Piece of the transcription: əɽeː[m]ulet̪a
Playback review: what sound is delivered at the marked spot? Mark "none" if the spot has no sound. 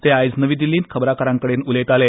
n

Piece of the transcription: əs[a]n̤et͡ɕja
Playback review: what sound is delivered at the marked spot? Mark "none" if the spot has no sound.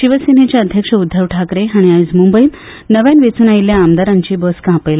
i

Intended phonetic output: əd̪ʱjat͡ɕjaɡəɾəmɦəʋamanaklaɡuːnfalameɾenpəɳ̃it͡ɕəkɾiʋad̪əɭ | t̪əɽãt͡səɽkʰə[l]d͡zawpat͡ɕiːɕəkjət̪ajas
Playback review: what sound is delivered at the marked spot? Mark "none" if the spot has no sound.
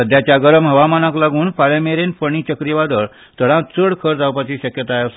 ɾ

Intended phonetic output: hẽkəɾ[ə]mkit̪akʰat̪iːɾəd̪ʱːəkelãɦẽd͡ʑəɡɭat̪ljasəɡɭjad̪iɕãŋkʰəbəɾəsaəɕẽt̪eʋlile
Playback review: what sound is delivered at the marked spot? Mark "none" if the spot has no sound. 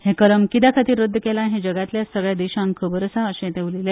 ə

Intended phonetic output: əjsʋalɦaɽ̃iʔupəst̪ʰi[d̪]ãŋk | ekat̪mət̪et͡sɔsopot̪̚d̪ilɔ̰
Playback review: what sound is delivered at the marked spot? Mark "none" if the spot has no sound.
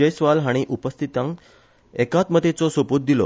t̪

